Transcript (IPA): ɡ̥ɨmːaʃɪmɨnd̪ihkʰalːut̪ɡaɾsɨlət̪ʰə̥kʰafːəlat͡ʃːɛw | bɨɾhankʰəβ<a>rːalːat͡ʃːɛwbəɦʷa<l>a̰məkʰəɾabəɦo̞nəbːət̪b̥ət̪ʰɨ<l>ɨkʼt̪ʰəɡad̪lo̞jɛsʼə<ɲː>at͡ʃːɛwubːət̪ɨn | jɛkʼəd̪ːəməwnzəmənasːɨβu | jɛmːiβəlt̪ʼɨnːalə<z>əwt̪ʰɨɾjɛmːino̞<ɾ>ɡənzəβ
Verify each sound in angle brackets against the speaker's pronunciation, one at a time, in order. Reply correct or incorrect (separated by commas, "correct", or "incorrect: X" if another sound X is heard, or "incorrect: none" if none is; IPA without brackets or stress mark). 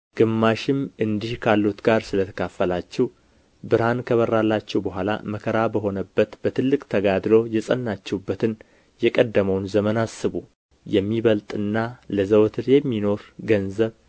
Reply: incorrect: ə, correct, incorrect: lː, incorrect: nː, correct, correct